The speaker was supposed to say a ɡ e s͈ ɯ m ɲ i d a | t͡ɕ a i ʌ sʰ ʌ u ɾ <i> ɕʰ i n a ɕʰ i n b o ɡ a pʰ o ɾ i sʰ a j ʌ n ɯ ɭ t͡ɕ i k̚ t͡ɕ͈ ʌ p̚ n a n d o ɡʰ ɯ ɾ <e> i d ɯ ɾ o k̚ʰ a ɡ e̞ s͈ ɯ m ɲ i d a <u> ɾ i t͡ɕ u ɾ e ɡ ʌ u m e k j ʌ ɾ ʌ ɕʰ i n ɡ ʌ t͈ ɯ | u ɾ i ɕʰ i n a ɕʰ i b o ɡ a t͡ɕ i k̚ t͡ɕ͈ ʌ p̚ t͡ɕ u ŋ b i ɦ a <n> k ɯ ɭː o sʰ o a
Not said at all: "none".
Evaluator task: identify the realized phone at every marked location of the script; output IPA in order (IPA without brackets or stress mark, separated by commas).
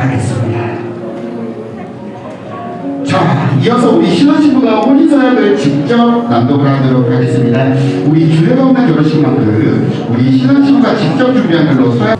i, a, u, n